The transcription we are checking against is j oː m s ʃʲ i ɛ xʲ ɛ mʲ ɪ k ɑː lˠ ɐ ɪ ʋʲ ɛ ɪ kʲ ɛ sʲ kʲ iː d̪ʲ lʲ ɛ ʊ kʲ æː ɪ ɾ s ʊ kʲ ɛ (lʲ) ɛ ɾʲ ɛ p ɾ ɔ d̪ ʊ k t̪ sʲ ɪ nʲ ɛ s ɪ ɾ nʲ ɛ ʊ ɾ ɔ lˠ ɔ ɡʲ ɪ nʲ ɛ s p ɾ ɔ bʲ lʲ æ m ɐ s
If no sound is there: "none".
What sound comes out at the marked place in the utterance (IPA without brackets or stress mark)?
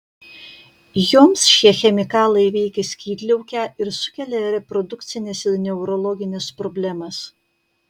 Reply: lʲ